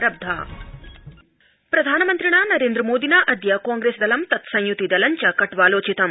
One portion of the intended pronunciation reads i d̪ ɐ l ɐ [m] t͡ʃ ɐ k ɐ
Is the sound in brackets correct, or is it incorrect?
incorrect